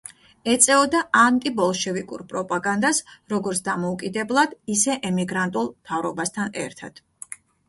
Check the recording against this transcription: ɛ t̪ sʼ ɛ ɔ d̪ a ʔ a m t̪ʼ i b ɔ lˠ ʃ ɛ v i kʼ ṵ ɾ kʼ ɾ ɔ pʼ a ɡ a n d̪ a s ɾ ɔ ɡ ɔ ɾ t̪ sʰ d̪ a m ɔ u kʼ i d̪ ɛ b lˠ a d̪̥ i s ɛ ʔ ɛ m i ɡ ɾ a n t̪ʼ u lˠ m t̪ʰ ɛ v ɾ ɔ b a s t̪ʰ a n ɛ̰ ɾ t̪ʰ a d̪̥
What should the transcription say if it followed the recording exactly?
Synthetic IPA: ɛ t̪ sʼ ɛ ɔ d̪ a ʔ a n t̪ʼ i b ɔ lˠ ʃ ɛ v i kʼ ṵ ɾ pʼ ɾ ɔ pʼ a ɡ a n d̪ a s ɾ ɔ ɡ ɔ ɾ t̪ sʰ d̪ a m ɔ u kʼ i d̪ ɛ b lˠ a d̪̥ i s ɛ ʔ ɛ m i ɡ ɾ a n t̪ʼ u lˠ m t̪ʰ a v ɾ ɔ b a s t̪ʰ a n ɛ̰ ɾ t̪ʰ a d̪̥